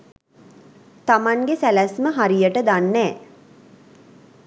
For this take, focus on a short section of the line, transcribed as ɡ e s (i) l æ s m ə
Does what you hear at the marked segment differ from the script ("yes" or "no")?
yes